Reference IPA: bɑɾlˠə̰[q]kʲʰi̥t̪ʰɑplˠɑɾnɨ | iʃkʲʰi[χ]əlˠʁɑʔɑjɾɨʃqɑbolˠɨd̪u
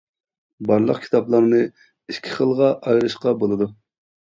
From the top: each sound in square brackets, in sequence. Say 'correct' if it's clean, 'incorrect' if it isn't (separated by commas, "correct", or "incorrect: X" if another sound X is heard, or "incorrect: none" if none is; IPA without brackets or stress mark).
correct, correct